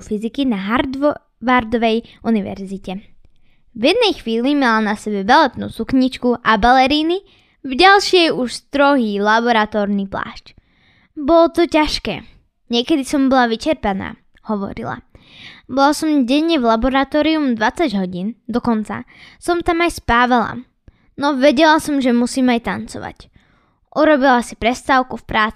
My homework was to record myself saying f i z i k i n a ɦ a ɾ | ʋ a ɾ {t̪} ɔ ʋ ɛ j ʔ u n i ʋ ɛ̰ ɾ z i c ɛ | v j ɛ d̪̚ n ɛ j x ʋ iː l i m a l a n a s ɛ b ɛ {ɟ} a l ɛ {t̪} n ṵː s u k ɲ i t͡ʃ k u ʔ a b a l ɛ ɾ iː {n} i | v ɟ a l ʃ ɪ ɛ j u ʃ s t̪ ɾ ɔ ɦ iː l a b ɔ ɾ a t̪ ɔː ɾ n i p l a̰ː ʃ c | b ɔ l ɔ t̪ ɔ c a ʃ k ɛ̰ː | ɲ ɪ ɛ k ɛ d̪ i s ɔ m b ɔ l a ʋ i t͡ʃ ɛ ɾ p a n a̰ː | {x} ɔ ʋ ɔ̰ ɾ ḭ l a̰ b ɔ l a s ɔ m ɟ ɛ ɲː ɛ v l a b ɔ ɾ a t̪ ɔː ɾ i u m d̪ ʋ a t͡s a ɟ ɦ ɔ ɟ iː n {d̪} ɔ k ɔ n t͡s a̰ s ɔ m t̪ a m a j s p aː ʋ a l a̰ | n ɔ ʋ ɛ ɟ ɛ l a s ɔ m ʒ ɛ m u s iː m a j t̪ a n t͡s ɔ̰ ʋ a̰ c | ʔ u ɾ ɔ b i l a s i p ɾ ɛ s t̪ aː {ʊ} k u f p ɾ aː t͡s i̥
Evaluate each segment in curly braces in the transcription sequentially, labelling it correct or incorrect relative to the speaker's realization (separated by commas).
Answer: incorrect, incorrect, correct, correct, incorrect, correct, correct